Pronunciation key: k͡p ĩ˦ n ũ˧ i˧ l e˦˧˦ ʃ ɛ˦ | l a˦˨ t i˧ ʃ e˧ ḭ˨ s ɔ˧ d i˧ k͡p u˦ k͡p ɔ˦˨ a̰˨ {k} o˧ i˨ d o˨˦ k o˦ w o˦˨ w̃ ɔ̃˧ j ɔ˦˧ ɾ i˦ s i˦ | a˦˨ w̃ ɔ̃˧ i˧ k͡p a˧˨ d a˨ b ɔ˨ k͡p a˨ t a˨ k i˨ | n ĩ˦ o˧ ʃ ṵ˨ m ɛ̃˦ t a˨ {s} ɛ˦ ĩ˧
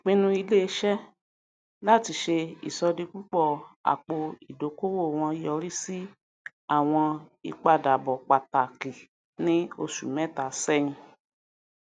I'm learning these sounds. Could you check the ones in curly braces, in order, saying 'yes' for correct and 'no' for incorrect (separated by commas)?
no, yes